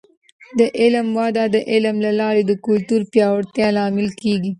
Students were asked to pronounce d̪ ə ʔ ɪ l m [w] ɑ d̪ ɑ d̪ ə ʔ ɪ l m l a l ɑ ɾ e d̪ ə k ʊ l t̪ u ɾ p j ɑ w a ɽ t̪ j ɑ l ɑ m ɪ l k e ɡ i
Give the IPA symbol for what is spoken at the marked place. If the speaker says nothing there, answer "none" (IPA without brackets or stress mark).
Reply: w